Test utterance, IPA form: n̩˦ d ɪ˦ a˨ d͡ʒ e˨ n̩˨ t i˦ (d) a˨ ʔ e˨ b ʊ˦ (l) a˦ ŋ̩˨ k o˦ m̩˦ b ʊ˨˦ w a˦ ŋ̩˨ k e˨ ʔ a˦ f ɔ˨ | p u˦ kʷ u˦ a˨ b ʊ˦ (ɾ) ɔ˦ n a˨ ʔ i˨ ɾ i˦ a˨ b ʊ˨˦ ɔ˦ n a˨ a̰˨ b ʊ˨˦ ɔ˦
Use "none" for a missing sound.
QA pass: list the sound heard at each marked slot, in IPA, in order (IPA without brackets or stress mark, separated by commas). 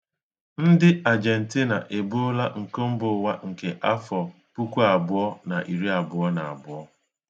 n, l, none